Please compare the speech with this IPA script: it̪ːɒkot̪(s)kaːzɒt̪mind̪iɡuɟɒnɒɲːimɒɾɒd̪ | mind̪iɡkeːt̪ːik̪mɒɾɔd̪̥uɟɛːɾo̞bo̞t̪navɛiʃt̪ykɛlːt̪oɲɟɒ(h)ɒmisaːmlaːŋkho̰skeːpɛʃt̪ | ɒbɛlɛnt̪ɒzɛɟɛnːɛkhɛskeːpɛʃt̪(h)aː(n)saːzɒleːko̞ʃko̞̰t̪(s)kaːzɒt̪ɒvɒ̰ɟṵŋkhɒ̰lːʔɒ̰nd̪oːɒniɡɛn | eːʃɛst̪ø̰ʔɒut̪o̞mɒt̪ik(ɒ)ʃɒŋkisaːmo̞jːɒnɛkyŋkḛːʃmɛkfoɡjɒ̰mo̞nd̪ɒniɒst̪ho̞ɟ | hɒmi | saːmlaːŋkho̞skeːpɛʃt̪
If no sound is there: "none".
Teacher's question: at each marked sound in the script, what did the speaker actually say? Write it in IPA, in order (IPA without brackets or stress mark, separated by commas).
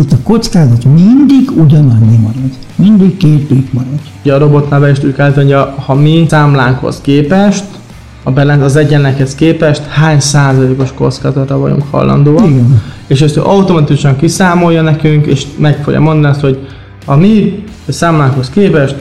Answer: s, h, h, ɲ, s, u